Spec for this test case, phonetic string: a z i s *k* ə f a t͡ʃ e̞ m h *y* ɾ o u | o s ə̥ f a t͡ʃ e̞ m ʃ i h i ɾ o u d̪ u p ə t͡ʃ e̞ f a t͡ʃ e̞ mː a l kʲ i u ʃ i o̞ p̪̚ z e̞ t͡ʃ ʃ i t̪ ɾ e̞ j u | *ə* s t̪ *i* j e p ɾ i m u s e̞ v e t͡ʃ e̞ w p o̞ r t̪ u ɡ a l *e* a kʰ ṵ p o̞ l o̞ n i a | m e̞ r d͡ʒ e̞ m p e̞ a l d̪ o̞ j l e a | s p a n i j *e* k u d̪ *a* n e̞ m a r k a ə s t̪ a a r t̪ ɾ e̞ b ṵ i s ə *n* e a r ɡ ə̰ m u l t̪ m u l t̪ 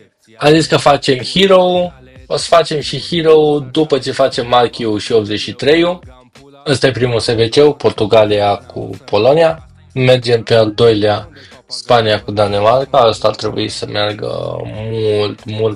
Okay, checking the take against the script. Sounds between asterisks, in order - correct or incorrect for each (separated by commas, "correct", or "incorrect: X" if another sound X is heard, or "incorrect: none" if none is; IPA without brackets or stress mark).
correct, incorrect: i, correct, incorrect: a, incorrect: i, incorrect: a, correct, incorrect: m